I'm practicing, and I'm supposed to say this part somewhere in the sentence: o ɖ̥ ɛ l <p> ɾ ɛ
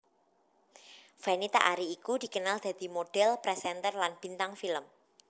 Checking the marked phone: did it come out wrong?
no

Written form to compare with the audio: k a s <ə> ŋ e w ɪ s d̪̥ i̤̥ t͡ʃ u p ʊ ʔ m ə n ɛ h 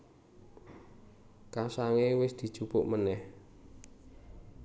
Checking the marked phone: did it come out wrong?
yes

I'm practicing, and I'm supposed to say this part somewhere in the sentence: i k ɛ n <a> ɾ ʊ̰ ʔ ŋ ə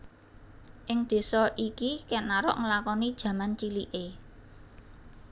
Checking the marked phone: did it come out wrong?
no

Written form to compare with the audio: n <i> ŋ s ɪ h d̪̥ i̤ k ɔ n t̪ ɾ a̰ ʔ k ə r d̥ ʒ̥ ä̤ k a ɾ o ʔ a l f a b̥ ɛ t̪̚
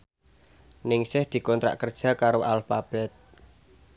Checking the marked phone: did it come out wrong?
yes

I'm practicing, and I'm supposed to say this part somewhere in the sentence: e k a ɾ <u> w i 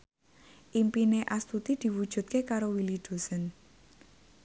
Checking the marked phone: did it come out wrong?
yes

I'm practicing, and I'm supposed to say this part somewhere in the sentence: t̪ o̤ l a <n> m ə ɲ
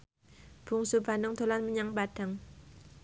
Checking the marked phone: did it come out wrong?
no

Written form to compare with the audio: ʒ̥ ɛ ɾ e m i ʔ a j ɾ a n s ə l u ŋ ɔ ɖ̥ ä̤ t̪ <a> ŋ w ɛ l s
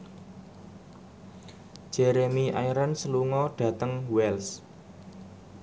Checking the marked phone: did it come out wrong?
yes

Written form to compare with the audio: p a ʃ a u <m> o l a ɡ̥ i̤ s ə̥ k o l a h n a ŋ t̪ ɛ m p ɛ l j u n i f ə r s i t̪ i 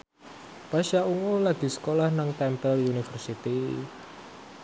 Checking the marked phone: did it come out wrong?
yes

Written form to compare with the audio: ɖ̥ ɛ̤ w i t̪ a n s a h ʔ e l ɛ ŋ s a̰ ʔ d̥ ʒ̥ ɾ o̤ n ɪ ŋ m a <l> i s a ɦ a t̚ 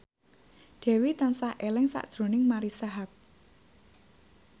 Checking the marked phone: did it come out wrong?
yes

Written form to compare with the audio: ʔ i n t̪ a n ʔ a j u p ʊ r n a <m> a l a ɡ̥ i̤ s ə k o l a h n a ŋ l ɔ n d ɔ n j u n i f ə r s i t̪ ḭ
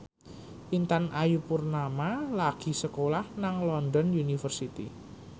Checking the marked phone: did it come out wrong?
no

